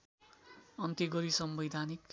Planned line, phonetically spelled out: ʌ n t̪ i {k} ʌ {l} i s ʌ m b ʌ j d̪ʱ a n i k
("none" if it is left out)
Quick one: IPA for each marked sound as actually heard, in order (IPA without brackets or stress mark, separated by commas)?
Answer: ɡ, ɾ